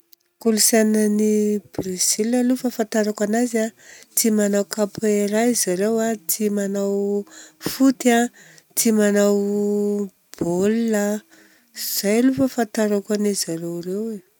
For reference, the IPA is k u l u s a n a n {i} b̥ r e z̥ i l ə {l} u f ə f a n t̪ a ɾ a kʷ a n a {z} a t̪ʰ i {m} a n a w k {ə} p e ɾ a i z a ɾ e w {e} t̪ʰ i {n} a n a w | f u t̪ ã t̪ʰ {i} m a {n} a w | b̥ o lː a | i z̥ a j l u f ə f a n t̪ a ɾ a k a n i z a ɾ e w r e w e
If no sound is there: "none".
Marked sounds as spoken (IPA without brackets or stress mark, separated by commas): i, l, z, m, a, a, m, i, n